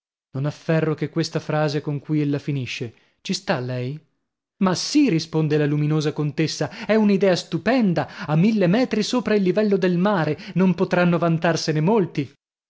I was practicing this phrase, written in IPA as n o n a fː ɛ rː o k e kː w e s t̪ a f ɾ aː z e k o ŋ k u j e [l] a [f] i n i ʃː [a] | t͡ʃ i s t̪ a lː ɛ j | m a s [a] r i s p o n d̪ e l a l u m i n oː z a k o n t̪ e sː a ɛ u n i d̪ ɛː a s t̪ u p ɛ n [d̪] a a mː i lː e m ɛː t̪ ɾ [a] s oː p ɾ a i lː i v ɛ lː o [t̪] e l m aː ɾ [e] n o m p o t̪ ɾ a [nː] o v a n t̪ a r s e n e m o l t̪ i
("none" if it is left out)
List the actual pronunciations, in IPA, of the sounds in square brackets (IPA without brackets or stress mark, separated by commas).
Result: lː, f, e, i, d̪, i, d̪, e, nː